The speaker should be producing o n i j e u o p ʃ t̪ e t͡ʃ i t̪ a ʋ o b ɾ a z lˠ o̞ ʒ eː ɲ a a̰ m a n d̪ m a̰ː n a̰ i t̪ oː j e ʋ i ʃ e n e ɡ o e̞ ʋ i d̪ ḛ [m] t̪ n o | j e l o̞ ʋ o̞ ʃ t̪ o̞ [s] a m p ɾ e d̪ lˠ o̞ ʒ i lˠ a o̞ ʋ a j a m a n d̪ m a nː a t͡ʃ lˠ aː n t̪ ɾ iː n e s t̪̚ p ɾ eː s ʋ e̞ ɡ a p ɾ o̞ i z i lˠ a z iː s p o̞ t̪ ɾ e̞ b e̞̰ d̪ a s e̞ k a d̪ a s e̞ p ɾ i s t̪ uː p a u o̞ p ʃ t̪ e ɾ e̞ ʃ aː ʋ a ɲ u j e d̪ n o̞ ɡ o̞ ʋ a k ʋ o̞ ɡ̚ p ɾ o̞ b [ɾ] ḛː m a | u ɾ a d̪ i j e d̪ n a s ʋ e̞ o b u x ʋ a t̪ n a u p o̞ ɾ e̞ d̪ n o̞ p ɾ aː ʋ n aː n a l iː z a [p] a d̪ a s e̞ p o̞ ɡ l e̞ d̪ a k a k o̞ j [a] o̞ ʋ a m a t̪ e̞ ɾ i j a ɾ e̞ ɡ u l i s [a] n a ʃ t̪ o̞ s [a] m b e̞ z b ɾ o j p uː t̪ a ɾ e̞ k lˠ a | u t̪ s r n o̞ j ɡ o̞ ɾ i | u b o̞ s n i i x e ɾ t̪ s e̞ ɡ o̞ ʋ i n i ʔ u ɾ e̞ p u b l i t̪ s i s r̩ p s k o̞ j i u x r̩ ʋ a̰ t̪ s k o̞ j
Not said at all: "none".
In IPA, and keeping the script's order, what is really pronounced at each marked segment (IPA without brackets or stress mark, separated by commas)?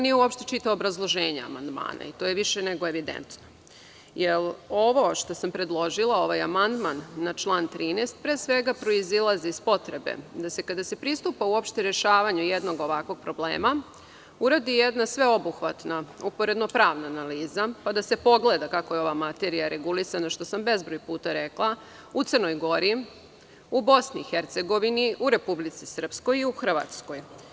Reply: n, s, l, p, e, a, a